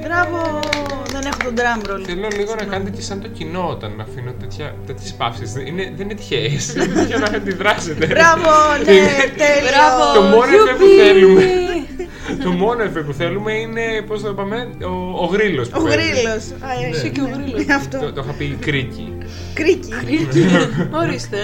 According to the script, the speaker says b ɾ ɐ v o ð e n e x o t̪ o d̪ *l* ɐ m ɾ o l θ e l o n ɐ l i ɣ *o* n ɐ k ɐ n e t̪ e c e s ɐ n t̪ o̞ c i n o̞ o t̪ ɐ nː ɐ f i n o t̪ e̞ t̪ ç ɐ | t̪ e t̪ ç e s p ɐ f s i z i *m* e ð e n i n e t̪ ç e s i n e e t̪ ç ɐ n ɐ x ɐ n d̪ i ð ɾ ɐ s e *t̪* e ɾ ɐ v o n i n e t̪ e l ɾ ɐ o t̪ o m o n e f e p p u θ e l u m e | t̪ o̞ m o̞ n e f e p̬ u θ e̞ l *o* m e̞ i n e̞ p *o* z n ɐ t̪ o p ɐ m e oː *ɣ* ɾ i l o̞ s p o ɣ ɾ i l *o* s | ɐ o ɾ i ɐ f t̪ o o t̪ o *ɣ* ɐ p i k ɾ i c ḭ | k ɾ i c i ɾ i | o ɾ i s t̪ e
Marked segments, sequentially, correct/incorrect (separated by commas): incorrect, correct, incorrect, correct, incorrect, correct, correct, correct, incorrect